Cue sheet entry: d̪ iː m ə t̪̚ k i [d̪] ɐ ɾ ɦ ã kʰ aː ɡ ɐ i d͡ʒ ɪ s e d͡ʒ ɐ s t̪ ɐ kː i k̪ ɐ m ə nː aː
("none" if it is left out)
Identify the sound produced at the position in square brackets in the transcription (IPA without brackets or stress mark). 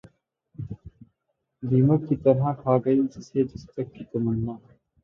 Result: t̪